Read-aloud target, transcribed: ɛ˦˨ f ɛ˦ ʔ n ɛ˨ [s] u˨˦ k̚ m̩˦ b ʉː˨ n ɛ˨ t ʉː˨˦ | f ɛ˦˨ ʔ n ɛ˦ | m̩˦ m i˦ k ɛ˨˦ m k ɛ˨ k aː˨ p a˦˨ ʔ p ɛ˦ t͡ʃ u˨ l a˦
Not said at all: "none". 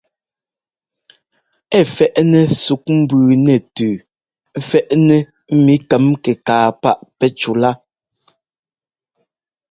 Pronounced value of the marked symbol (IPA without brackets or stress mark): s